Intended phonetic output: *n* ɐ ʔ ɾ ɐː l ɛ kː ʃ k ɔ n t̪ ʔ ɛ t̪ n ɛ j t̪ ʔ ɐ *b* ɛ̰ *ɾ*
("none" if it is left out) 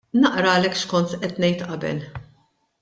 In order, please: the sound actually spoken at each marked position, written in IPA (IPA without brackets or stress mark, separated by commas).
n, b, l